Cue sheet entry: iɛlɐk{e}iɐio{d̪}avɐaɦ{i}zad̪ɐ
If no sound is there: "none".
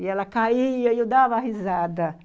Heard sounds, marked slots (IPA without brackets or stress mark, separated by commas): a, d̪, i